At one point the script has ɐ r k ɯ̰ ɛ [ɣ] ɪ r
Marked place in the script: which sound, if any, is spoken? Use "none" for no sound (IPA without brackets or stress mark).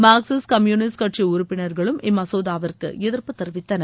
ð